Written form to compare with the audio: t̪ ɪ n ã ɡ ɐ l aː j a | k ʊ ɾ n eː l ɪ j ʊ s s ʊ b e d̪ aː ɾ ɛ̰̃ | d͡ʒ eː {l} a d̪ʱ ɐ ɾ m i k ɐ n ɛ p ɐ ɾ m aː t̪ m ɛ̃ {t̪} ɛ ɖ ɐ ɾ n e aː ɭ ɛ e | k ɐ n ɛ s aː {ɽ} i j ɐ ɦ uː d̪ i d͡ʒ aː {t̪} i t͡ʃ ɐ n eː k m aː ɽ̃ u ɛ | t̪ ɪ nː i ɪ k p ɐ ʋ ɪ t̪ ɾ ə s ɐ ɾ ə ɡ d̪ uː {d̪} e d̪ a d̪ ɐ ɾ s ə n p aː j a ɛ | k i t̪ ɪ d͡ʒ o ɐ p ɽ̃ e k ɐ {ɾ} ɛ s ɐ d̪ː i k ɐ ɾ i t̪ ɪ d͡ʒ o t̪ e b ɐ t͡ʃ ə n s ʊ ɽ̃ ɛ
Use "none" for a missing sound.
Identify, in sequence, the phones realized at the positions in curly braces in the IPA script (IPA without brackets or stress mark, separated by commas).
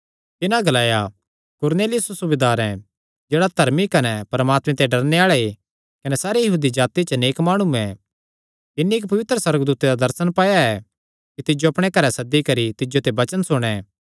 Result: ɽ, t̪, ɾ, t̪, t̪, ɾ